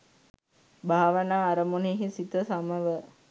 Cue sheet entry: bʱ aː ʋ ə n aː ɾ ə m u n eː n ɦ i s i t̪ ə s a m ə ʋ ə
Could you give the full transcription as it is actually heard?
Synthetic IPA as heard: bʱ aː ʋ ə n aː ɾ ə m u n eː ɦ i s i t̪ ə s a m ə ʋ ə